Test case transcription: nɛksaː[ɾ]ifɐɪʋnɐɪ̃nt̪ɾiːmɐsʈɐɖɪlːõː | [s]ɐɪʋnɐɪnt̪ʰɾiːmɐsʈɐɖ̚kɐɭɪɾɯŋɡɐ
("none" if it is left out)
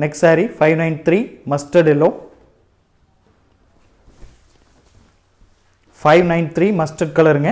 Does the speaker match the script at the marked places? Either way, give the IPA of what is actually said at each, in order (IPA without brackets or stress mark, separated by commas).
ɾ, f